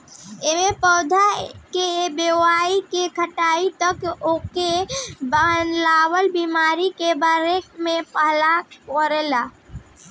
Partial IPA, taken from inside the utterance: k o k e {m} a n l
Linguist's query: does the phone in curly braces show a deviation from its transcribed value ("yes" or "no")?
yes